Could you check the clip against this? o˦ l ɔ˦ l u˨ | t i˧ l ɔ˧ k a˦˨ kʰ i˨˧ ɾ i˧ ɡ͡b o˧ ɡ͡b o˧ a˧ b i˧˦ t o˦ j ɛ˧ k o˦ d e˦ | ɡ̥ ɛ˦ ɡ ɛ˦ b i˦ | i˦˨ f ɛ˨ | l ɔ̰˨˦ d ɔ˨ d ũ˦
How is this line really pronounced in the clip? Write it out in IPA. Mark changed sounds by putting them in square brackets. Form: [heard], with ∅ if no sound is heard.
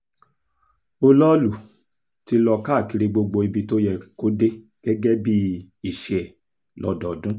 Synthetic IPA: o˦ l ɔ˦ l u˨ | t i˧ l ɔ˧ k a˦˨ [k] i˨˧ ɾ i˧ ɡ͡b o˧ ɡ͡b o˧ [i˧] b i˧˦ t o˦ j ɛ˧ k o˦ d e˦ | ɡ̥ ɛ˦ ɡ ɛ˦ b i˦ | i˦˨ [ʃ] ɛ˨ | l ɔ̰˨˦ d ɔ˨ d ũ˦